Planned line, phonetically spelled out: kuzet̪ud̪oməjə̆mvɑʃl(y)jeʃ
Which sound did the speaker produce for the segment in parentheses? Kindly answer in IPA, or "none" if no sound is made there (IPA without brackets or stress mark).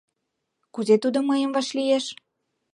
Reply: i